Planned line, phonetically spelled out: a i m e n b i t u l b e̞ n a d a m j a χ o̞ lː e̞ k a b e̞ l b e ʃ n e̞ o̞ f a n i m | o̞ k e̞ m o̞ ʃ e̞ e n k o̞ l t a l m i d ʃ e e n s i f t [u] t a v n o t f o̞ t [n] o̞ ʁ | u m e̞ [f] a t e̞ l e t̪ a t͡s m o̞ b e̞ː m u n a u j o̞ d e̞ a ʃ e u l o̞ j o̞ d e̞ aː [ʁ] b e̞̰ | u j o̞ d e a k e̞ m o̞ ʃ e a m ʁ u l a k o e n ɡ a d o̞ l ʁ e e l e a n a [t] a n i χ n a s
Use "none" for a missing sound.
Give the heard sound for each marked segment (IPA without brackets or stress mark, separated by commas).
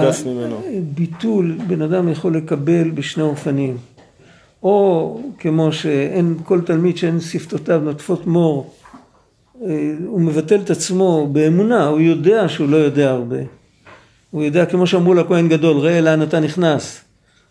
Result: o, m, v, ʁ, t